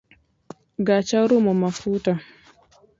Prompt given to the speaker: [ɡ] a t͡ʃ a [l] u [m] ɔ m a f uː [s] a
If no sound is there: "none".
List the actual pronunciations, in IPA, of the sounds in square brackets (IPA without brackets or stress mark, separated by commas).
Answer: ɡ, ɾ, m, t